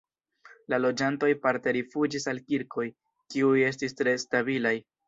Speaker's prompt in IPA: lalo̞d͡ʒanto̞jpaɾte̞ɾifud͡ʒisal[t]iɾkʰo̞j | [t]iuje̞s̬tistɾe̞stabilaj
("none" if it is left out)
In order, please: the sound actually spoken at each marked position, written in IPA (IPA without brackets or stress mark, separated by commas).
k, k